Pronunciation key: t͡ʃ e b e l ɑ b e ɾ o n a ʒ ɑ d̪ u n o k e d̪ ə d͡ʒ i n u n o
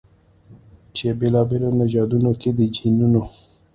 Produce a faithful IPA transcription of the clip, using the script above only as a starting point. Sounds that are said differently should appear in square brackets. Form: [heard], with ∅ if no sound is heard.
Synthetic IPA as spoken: t͡ʃ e b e l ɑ b e [l] o n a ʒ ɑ d̪ u n o k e d̪ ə d͡ʒ i n u n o